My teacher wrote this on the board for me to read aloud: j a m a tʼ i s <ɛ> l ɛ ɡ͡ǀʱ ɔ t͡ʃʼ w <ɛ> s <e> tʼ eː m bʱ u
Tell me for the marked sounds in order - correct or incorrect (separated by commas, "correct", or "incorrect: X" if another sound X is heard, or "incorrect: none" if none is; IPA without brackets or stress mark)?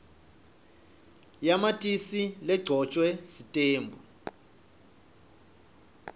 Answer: incorrect: i, correct, incorrect: i